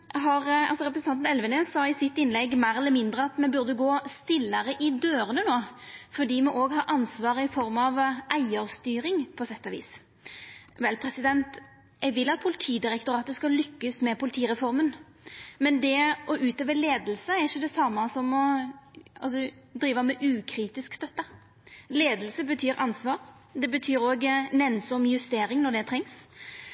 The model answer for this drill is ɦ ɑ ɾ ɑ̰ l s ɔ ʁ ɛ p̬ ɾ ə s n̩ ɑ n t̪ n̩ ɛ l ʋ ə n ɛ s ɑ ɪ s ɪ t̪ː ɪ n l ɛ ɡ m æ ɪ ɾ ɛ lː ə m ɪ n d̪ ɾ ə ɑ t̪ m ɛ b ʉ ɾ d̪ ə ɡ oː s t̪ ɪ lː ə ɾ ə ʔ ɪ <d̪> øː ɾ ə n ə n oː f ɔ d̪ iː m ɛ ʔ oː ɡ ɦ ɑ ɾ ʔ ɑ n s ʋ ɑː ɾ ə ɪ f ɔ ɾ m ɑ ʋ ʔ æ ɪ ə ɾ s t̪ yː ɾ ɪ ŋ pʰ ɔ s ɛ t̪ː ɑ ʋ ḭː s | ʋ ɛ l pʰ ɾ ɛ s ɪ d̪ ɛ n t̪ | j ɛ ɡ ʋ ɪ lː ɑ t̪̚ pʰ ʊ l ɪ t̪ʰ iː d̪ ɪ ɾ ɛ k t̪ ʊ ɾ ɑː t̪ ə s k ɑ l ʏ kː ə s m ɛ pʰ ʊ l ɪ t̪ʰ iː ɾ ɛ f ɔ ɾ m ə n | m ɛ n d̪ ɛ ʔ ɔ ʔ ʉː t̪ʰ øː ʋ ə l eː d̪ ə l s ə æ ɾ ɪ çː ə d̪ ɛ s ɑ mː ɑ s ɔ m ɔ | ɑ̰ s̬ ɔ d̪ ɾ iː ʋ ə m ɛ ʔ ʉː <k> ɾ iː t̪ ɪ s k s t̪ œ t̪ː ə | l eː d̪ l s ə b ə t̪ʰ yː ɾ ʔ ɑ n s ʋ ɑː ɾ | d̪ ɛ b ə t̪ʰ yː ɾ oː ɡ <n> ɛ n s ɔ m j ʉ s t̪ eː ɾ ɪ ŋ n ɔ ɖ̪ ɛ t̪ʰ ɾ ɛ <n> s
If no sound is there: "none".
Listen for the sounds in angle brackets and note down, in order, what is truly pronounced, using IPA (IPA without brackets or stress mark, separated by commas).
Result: d̪, kʰ, n, ŋ